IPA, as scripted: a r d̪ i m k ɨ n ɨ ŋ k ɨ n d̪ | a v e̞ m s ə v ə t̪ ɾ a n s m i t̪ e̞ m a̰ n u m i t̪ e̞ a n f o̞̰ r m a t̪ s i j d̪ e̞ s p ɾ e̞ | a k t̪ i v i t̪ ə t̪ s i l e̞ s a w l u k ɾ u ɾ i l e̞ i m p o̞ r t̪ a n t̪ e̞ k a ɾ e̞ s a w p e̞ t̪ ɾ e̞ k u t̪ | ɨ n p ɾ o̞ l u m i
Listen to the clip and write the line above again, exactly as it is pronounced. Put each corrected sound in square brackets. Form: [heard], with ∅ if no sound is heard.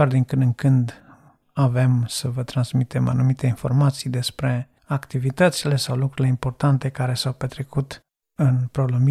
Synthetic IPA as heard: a r d̪ i [ŋ] k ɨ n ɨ ŋ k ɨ n d̪ | a v e̞ m s ə v ə t̪ ɾ a n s m i t̪ e̞ m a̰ n u m i t̪ e̞ [i] n f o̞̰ r m a t̪ s i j d̪ e̞ s p ɾ e̞ | a k t̪ i v i t̪ ə t̪ s i l e̞ s a w l u k ɾ u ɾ i l e̞ i m p o̞ r t̪ a n t̪ e̞ k a ɾ e̞ s a w p e̞ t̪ ɾ e̞ k u t̪ | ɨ n p ɾ o̞ l u m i